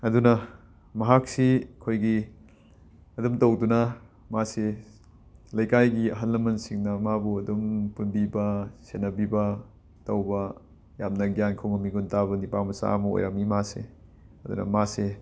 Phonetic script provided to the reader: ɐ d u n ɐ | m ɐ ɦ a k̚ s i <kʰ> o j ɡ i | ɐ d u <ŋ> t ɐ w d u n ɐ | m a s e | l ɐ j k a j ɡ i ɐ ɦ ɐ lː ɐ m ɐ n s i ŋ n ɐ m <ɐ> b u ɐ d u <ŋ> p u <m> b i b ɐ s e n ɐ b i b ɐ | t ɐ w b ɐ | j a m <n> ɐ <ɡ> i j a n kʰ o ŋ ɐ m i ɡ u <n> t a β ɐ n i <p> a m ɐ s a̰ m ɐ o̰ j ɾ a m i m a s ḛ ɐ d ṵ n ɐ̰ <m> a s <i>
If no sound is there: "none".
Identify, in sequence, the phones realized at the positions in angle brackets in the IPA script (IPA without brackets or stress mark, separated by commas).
kʰ, m, a, m, n, n, ɡ, n, p, m, e